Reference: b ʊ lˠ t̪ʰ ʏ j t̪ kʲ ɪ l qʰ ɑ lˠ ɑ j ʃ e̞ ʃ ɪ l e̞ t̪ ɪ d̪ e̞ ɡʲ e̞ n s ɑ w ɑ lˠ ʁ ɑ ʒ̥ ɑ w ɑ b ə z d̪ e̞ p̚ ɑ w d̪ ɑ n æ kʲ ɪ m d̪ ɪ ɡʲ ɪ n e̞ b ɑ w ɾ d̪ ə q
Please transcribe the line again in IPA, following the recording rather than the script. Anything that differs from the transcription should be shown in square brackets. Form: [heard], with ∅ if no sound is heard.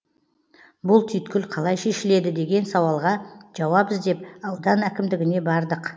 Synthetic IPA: b ʊ lˠ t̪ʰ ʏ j t̪ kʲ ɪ l qʰ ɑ lˠ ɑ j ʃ e̞ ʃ ɪ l e̞ [d̪] ɪ d̪ e̞ ɡʲ e̞ n s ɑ w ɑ lˠ ʁ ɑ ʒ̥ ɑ w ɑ b ə z d̪ e̞ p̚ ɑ w d̪ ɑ n æ kʲ ɪ m d̪ ɪ ɡʲ ɪ n e̞ b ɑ [∅] ɾ d̪ ə q